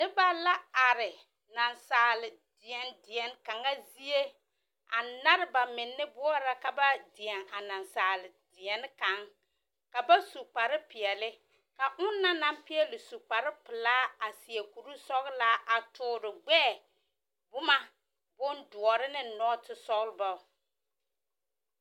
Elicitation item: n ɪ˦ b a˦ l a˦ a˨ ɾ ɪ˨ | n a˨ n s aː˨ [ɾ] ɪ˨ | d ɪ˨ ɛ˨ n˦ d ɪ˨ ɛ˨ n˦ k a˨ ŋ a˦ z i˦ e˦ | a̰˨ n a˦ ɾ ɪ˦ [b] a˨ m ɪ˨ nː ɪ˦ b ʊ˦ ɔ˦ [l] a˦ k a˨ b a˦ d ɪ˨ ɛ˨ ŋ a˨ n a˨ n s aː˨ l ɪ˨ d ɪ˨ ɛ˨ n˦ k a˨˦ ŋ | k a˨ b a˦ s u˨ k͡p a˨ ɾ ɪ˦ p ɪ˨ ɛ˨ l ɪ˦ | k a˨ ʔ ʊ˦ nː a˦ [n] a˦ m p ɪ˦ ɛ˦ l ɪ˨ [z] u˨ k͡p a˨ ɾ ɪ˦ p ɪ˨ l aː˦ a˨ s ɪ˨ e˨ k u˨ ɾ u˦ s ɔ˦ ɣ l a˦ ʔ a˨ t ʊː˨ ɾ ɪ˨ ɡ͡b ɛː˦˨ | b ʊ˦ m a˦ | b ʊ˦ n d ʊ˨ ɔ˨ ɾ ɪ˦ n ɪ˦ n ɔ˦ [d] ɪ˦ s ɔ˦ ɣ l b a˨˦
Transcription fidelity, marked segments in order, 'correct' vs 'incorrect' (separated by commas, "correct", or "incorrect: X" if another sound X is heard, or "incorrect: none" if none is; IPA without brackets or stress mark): incorrect: l, correct, incorrect: ɾ, correct, incorrect: s, incorrect: t